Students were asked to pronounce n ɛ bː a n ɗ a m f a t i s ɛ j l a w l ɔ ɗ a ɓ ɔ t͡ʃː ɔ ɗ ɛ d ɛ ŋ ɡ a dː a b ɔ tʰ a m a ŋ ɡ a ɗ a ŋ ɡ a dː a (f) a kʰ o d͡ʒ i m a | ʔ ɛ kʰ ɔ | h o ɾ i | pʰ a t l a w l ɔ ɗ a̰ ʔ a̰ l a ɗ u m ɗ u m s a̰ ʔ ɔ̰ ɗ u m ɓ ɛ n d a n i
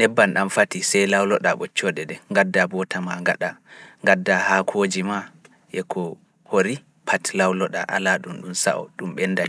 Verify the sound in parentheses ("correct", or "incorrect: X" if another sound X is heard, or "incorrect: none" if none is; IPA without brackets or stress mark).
incorrect: h